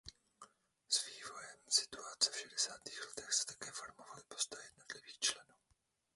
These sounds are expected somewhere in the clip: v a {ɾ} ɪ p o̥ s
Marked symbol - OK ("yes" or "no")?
no